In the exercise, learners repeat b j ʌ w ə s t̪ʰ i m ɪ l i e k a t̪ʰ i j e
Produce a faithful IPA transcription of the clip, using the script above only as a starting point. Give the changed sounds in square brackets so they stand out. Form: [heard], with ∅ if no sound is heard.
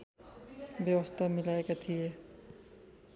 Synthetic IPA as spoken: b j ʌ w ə s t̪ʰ [a] m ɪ l [a] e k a t̪ʰ i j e